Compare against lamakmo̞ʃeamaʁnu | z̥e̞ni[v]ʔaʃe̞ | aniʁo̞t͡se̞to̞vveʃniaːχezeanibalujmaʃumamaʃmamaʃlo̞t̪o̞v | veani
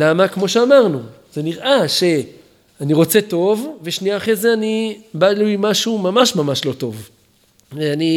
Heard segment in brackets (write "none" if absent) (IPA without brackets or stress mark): ʁ